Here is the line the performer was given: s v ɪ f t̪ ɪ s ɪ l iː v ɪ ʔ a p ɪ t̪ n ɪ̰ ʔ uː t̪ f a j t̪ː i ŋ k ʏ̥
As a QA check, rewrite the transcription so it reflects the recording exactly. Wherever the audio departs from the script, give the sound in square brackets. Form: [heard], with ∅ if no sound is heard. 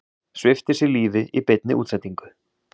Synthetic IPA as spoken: s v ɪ f t̪ ɪ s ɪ l iː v ɪ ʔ [i] p ɪ t̪ n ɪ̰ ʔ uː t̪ [s] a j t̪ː i ŋ k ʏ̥